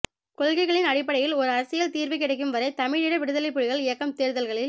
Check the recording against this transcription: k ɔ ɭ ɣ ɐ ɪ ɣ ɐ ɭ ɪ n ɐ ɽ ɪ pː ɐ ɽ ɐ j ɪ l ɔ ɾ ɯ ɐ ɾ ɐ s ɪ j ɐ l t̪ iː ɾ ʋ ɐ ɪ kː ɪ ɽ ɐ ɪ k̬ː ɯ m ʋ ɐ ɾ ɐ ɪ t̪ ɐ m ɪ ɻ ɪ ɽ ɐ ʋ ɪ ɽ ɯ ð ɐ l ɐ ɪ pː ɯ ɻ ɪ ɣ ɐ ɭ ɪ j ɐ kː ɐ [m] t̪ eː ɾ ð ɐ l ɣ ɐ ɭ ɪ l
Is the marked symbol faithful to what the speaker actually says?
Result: yes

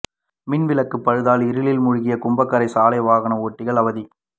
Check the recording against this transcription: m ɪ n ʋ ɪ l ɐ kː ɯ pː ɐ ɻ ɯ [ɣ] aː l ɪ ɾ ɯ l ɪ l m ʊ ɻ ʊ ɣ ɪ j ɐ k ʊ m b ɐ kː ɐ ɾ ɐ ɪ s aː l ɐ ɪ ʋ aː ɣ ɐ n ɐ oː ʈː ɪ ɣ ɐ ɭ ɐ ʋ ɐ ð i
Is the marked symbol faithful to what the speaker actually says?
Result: no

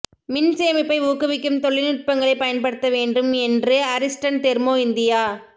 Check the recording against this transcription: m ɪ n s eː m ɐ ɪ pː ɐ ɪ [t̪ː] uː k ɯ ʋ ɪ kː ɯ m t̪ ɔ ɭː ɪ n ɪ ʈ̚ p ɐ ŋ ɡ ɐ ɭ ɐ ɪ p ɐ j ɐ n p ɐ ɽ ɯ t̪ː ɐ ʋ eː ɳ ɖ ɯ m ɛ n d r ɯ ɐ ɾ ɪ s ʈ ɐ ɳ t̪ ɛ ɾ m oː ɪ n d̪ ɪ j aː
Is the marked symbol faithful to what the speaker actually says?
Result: no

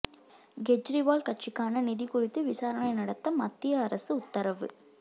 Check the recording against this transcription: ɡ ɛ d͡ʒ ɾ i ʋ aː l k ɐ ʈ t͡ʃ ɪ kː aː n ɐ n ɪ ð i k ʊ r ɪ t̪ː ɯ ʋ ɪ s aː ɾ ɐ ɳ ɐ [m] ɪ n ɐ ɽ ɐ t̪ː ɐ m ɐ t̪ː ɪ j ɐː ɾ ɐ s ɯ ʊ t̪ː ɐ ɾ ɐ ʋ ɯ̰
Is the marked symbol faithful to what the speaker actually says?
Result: no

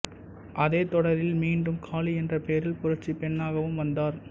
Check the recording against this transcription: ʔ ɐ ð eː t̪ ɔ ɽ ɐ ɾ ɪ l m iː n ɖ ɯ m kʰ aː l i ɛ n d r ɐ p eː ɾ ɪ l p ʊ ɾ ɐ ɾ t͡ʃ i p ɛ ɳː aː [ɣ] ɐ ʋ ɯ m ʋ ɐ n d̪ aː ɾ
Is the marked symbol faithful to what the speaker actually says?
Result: yes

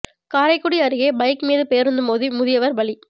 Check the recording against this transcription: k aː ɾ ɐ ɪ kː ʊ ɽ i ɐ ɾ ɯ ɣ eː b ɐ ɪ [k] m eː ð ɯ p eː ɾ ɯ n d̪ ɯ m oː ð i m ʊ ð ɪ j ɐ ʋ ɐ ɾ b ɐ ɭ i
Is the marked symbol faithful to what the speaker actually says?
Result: yes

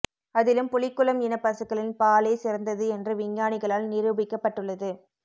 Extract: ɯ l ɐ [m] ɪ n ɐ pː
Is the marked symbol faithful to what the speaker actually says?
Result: yes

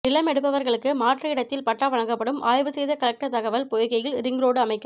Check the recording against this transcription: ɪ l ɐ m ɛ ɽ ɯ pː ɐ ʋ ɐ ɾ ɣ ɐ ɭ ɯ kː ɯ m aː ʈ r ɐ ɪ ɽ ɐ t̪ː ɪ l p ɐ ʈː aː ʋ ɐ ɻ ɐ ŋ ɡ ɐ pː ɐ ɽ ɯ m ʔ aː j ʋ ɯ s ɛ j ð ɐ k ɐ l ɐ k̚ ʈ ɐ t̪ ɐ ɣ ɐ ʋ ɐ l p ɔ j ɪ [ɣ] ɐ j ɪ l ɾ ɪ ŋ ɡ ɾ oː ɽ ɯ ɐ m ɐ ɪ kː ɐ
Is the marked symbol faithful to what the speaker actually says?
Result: yes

